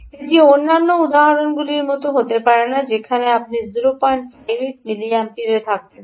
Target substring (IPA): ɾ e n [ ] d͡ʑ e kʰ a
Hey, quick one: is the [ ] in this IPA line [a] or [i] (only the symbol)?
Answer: a